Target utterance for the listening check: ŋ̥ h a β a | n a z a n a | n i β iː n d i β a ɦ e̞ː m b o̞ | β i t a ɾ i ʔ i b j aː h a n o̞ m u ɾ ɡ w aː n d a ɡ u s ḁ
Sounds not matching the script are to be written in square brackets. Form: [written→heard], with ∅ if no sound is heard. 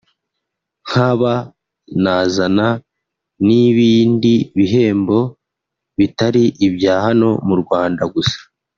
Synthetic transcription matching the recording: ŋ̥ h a β a | n a z a n a | n i β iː n d i β [a→i] ɦ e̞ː m b o̞ | β i t a ɾ i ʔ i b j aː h a n o̞ m u ɾ ɡ w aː n d a ɡ u s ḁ